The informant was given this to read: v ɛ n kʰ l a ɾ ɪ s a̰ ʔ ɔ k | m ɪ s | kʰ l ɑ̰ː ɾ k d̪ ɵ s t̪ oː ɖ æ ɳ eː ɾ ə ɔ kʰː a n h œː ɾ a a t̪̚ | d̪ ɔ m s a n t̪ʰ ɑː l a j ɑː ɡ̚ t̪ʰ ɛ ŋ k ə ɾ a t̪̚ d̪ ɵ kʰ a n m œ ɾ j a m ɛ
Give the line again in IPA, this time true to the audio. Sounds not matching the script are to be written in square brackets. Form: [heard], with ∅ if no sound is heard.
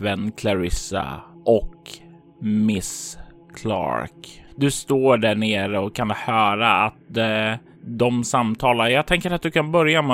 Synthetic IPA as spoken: v ɛ n kʰ l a ɾ ɪ s a̰ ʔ ɔ k | m ɪ s | kʰ l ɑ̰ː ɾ k d̪ ɵ s t̪ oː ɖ æ ɳ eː ɾ ə ɔ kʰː a n h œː ɾ a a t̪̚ | d̪ ɔ m s a [m] t̪ʰ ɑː l a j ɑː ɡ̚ t̪ʰ ɛ ŋ k ə ɾ a t̪̚ d̪ ɵ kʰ a n [b] œ ɾ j a m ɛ